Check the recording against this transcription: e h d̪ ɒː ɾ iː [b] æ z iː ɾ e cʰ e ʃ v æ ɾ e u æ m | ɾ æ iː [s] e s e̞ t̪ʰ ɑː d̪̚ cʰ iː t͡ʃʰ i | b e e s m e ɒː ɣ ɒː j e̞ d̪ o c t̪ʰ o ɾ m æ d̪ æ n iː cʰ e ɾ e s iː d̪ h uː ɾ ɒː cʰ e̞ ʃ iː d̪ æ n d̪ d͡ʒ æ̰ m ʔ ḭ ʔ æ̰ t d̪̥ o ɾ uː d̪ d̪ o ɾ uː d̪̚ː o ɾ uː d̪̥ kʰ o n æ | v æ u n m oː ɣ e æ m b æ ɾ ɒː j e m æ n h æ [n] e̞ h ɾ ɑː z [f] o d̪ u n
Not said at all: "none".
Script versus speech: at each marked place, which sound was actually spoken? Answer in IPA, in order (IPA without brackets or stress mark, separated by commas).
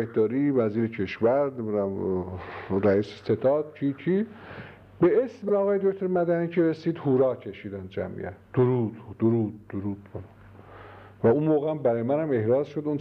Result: v, s, m, ʃ